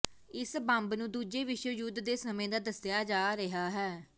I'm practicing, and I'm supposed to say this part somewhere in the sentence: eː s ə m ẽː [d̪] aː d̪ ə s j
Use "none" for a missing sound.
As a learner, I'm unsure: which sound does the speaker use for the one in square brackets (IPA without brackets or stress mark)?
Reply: d̪